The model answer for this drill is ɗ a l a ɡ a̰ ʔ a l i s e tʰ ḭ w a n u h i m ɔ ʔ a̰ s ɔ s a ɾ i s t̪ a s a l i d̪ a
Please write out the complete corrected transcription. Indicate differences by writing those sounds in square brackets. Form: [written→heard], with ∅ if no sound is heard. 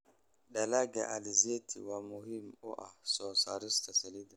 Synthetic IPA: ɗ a l a ɡ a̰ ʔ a l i [s→z] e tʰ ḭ w a [n→m] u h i m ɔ ʔ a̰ s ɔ s a ɾ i s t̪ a s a l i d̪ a